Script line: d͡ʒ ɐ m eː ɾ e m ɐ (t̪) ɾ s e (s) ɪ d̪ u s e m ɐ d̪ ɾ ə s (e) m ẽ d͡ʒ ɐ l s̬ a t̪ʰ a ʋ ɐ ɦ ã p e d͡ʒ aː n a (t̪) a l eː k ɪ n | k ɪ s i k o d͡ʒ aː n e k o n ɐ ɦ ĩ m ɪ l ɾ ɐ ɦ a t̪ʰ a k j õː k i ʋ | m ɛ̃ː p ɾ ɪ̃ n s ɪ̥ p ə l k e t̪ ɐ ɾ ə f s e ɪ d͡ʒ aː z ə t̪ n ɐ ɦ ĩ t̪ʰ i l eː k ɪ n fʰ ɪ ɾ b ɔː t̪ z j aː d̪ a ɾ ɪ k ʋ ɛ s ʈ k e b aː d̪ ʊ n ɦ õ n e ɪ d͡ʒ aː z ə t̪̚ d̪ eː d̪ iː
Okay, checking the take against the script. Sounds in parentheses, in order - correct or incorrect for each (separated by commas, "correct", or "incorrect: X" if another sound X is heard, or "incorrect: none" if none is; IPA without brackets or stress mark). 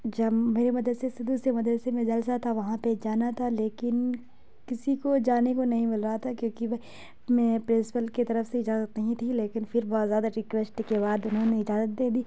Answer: incorrect: d̪, correct, correct, incorrect: t̪ʰ